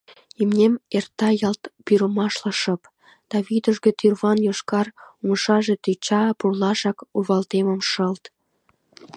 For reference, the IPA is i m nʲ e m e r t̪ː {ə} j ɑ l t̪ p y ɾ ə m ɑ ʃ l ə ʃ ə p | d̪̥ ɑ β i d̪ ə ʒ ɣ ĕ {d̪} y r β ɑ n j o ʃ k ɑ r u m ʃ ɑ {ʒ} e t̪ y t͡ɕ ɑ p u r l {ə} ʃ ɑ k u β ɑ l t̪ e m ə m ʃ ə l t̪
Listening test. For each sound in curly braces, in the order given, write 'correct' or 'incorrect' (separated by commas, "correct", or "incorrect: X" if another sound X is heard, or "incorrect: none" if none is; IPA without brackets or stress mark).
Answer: incorrect: ɑ, incorrect: t̪, correct, incorrect: ɑ